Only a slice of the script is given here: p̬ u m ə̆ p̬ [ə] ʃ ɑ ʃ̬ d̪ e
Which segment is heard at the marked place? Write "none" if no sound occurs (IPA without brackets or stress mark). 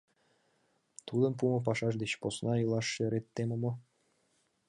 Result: ɑ